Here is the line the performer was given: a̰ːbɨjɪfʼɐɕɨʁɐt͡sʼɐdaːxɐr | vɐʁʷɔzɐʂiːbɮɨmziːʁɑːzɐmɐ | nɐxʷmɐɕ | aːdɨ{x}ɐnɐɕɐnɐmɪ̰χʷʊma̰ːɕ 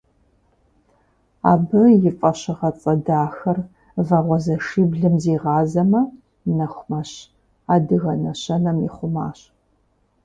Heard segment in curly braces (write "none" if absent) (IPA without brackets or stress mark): ɣ